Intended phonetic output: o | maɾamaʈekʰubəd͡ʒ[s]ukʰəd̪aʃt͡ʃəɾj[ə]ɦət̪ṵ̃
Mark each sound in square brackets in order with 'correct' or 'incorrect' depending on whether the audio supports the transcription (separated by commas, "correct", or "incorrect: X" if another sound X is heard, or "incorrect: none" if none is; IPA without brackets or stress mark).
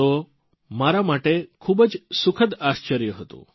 correct, correct